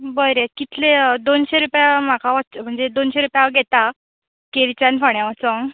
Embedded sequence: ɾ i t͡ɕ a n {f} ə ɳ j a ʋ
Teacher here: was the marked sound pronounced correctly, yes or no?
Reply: yes